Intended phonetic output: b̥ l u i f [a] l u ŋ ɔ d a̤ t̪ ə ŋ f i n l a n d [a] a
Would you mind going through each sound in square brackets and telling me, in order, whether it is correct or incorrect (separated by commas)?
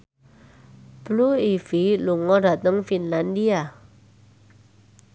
incorrect, incorrect